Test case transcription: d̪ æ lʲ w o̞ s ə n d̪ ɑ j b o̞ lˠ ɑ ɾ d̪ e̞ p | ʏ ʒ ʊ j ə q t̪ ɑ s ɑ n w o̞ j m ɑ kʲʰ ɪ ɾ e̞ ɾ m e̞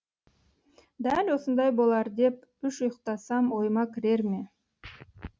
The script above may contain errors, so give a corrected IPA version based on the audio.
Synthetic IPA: d̪ æ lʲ w o̞ s ə n d̪ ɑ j b o̞ lˠ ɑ ɾ d̪ e̞ p | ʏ ʃ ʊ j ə q t̪ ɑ s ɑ m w o̞ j m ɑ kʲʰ ɪ ɾ e̞ ɾ m e̞